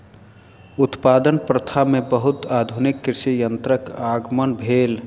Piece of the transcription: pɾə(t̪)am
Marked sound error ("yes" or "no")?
yes